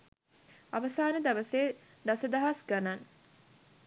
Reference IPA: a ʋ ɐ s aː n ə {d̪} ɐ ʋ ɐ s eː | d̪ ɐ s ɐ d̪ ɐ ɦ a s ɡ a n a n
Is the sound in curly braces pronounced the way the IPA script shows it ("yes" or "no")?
yes